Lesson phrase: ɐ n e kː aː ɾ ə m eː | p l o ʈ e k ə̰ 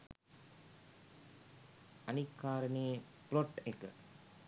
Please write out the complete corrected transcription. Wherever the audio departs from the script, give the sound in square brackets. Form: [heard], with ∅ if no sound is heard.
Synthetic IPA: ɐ n [i] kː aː ɾ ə [n] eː | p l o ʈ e k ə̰